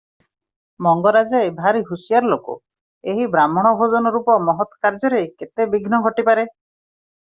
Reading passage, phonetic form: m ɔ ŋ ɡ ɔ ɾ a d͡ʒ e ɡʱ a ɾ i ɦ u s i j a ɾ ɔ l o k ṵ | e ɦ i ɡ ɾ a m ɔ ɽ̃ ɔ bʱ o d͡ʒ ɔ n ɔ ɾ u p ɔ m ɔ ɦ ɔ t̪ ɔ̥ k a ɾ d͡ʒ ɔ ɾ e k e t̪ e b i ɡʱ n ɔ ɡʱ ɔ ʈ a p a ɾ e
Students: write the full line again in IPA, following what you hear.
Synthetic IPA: m ɔ ŋ ɡ ɔ ɾ a d͡ʒ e bʱ a ɾ i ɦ u s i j a ɾ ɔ l o k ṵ | e ɦ i b ɾ a m ɔ ɽ̃ ɔ bʱ o d͡ʒ ɔ n ɔ ɾ u p ɔ m ɔ ɦ ɔ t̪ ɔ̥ k a ɾ d͡ʒ ɔ ɾ e k e t̪ e b i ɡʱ n ɔ ɡʱ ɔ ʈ i p a ɾ e

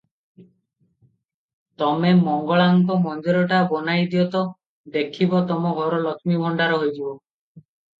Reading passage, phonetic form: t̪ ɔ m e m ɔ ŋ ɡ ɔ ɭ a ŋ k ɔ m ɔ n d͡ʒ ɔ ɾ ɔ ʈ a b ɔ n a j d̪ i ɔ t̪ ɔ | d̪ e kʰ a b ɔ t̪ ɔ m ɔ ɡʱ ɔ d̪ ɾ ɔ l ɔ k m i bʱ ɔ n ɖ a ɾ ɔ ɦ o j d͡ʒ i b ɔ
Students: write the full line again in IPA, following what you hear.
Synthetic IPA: t̪ ɔ m e m ɔ ŋ ɡ ɔ ɭ a ŋ k ɔ m ɔ n d͡ʒ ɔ ɾ ɔ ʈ a b ɔ n a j d̪ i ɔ t̪ ɔ | d̪ e kʰ i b ɔ t̪ ɔ m ɔ ɡʱ ɔ ɾ ɔ l ɔ k m i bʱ ɔ ɳ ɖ a ɾ ɔ ɦ o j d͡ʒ i b ɔ

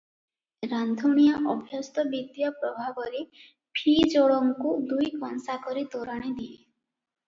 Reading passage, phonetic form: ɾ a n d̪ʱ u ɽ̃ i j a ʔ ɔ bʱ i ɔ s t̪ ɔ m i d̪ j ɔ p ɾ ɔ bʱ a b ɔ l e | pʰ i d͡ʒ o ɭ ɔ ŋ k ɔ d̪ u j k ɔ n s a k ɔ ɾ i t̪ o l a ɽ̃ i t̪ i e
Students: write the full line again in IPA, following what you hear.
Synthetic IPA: ɾ a n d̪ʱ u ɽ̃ i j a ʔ ɔ bʱ j ɔ s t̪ ɔ b i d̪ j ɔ p ɾ ɔ bʱ a b ɔ ɾ e | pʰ i d͡ʒ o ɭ ɔ ŋ k u d̪ u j k ɔ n s a k ɔ ɾ i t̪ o ɾ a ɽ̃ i d̪ i e

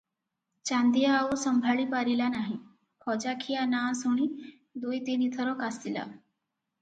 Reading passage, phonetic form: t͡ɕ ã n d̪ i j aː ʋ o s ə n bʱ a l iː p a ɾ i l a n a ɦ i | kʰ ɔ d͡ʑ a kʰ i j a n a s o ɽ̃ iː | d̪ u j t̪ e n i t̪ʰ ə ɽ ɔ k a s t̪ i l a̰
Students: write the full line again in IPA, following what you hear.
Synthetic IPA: t͡ɕ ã n d̪ i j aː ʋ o s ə m bʱ a ɭ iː p a ɾ i l a n a ɦ i | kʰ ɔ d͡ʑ a kʰ i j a n a s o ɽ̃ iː | d̪ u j t̪ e n i t̪ʰ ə ɾ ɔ k a s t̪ i l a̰

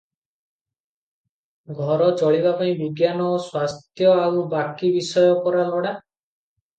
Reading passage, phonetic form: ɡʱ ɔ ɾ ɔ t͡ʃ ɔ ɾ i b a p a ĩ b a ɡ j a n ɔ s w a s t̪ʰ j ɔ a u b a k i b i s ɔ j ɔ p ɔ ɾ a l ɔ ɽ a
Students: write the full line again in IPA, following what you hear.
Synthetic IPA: ɡʱ ɔ ɾ ɔ t͡ʃ ɔ ɭ i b a p a ĩ b i ɡ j a n ɔ s w a s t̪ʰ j ɔ a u b a k i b i s ɔ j ɔ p ɔ ɾ a l ɔ ɽ a

